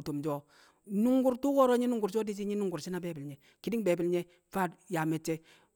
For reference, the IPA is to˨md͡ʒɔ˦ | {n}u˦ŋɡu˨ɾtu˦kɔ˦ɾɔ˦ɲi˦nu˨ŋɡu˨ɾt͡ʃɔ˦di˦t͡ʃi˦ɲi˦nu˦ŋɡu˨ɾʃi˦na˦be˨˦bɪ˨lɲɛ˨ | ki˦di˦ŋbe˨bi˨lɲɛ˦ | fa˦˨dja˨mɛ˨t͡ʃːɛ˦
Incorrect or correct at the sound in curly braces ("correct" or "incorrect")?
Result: correct